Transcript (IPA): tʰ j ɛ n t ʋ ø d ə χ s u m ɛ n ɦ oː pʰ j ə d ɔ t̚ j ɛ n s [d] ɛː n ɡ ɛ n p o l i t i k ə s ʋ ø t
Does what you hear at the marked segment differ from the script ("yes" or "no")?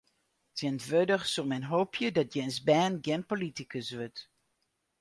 yes